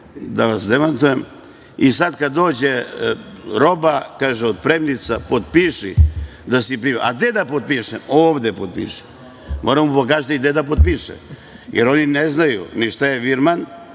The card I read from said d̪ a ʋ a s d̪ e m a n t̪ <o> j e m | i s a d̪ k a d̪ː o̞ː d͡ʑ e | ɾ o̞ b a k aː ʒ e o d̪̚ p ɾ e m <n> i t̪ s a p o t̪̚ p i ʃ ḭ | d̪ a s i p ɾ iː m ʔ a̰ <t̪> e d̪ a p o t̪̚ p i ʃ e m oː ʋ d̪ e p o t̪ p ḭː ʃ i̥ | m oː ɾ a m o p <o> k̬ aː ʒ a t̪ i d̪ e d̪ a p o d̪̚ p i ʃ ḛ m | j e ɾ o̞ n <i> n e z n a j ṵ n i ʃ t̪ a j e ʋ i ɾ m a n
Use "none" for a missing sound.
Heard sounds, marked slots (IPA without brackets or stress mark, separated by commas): u, n, d̪, o, i